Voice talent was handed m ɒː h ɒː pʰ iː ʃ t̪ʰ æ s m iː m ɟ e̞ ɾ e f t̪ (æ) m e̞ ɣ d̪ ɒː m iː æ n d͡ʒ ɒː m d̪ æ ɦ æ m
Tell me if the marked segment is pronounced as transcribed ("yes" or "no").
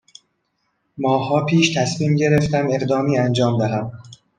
yes